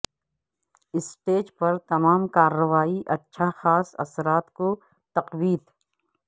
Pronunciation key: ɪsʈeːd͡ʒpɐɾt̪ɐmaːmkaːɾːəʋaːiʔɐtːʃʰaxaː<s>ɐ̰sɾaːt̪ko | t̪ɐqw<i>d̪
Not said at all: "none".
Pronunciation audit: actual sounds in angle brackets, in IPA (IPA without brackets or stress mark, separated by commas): s, iː